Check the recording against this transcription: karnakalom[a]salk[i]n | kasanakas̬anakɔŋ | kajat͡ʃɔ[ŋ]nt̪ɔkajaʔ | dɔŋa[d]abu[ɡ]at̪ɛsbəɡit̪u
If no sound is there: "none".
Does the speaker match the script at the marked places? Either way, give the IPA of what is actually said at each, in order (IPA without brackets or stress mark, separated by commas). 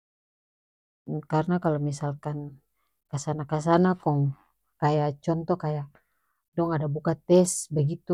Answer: i, a, none, d, k